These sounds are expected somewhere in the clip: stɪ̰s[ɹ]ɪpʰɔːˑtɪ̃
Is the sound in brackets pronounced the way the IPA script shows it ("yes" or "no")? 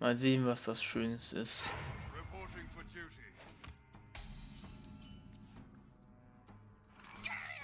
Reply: yes